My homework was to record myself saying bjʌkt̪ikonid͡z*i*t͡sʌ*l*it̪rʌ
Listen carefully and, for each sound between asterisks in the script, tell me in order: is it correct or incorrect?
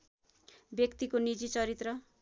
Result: correct, incorrect: ɾ

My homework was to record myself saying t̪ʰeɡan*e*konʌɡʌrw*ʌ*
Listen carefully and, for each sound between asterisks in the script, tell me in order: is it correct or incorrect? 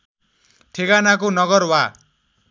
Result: incorrect: a, incorrect: a

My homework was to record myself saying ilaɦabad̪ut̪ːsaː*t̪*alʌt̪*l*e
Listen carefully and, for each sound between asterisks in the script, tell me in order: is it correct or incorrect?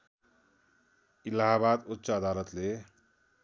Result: incorrect: d̪, correct

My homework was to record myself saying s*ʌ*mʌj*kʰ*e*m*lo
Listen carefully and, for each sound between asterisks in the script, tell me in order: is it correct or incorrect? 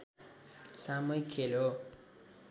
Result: incorrect: a, correct, incorrect: none

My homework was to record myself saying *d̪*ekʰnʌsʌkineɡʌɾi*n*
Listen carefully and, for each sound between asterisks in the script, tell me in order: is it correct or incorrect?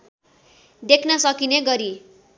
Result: correct, incorrect: none

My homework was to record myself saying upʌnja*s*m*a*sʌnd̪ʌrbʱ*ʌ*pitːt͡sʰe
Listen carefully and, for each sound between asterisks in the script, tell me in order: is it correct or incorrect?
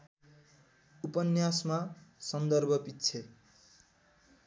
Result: correct, correct, correct

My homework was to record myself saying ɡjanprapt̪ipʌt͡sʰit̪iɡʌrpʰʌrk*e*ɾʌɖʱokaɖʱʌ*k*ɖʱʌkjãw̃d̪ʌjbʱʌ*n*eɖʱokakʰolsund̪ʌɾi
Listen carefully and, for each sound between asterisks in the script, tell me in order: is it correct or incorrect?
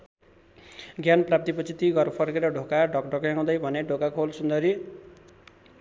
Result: correct, correct, correct

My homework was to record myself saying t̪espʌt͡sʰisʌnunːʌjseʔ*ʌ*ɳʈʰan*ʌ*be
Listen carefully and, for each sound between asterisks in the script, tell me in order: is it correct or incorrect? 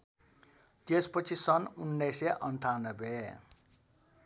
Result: correct, correct

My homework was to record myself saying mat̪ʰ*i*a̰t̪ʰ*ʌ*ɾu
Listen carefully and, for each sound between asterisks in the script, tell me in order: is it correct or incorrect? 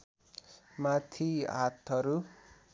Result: correct, correct

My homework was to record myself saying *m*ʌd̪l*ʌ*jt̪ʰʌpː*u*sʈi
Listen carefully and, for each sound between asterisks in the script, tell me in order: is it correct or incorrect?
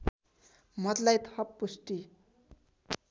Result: correct, incorrect: a, correct

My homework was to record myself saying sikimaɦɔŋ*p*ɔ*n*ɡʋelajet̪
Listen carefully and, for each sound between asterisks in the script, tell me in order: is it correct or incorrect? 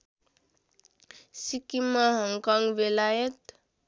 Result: incorrect: k, incorrect: ŋ

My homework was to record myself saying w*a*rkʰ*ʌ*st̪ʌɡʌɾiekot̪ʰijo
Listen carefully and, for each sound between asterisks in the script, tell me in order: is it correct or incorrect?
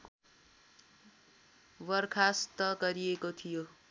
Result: incorrect: ʌ, incorrect: a

